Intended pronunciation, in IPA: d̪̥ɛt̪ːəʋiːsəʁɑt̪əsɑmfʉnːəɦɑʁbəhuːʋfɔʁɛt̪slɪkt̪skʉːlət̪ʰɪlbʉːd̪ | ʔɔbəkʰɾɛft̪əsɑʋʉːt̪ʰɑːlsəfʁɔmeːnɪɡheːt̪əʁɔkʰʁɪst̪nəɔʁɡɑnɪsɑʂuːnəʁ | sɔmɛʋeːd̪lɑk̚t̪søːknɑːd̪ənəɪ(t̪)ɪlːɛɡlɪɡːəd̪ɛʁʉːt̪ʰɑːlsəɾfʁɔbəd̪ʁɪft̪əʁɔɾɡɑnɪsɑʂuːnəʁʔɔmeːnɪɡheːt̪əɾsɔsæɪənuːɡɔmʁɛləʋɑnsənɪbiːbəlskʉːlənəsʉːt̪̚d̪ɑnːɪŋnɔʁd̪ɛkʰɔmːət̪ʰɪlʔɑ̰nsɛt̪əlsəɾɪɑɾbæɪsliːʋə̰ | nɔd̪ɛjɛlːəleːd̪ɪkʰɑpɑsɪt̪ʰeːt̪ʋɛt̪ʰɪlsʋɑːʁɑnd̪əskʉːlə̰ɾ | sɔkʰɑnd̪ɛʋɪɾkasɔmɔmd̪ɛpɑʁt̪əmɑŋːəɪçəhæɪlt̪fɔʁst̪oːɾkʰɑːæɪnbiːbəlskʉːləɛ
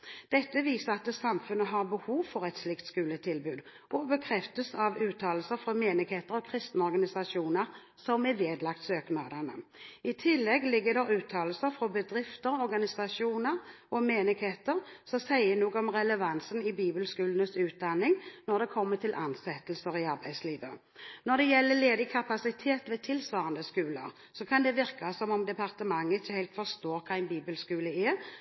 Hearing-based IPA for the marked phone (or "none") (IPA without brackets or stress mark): t̪ʰ